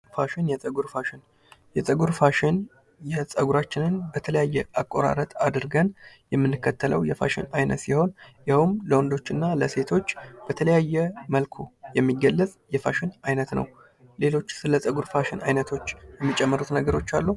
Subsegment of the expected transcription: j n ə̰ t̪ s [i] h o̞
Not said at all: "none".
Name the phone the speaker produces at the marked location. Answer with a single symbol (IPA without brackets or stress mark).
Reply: i